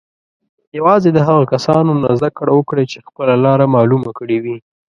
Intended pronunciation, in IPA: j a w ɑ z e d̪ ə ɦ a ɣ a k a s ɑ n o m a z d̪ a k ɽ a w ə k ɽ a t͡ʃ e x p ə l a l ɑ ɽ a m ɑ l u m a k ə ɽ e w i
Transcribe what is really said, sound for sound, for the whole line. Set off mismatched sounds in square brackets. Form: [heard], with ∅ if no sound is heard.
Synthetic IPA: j a w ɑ z e d̪ ə ɦ a ɣ a k a s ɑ n o [n] a z d̪ a k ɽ a w ə k ɽ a t͡ʃ e x p ə l a l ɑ [ɾ] a m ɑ l u m a k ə ɽ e w i